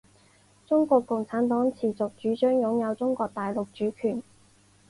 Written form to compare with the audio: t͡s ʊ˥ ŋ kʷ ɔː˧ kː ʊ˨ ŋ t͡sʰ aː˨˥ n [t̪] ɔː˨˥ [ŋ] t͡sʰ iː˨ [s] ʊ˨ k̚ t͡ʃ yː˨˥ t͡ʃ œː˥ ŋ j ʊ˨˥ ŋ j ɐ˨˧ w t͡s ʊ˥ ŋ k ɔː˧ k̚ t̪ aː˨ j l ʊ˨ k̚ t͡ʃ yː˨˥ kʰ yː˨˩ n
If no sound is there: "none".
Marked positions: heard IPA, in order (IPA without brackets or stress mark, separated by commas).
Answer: t̪, ŋ, t͡s